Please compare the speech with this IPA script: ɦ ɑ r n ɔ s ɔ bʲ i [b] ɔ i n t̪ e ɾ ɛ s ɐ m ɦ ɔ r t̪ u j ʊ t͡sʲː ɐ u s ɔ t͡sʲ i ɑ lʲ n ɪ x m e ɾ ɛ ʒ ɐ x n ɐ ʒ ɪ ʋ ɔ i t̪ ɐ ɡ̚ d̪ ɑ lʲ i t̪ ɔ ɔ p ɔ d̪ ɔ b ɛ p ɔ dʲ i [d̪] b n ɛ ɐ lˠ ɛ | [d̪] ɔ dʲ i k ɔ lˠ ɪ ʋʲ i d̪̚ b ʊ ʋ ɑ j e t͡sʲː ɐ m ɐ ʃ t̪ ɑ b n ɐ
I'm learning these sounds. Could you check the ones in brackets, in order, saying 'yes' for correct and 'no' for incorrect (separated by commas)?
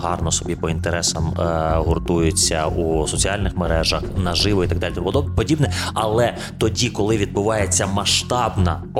no, no, no